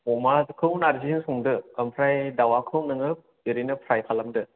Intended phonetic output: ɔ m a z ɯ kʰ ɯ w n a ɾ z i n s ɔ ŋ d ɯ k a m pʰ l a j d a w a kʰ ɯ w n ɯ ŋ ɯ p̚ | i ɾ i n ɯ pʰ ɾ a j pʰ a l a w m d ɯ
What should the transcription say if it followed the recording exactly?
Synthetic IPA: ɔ m a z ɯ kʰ ɯ w n a ɾ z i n s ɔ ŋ d ɯ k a m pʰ ɾ a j d a w a kʰ ɯ w n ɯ ŋ ɯ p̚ | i ɾ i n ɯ pʰ ɾ a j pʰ a l a m d ɯ